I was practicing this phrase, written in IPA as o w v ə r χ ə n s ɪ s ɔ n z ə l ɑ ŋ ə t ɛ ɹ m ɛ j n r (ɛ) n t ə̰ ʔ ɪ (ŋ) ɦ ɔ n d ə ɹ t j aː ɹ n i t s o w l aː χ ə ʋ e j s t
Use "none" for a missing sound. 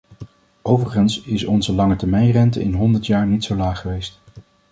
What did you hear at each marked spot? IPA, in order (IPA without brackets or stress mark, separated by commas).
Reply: ɛ, n